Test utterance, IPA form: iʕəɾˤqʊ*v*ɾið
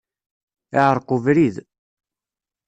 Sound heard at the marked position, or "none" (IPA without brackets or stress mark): v